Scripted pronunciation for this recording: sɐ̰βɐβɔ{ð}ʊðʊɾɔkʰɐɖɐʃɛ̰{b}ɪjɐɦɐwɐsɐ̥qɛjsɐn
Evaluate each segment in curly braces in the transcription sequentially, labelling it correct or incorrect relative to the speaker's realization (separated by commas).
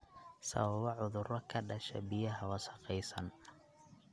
incorrect, correct